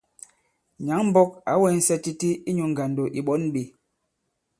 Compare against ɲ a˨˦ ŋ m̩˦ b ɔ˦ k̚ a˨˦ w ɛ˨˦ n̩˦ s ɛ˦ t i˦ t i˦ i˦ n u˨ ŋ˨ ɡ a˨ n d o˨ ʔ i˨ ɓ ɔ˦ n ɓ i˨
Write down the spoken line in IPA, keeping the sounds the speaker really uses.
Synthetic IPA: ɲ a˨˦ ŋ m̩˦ b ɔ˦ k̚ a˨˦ w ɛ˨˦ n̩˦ s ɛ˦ t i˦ t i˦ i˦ ɲ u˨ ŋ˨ ɡ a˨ n d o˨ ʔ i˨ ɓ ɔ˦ n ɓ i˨